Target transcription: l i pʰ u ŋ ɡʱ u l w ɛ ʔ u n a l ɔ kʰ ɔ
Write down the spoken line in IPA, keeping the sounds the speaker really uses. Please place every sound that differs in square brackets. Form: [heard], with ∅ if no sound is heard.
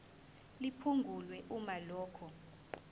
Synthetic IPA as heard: l i pʰ u ŋ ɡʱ u l w ɛ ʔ u [m] a l [ɔː] kʰ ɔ